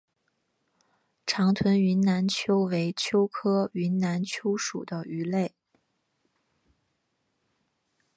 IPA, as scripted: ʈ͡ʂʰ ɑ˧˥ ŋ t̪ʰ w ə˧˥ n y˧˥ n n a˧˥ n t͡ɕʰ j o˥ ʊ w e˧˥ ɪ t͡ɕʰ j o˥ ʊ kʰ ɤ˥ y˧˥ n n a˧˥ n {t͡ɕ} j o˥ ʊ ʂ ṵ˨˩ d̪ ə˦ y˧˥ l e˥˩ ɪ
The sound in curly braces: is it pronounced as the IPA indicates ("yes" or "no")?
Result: no